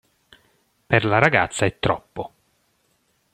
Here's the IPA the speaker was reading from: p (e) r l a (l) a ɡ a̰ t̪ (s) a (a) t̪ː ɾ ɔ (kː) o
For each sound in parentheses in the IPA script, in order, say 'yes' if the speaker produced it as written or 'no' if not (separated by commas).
yes, no, no, no, no